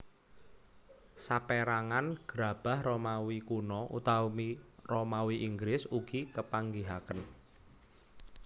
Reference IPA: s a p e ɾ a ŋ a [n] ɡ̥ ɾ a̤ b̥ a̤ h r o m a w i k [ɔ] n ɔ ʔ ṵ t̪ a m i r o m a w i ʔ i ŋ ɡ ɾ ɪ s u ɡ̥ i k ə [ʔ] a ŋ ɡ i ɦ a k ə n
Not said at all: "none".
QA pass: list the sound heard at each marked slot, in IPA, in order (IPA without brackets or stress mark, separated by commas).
n, u, p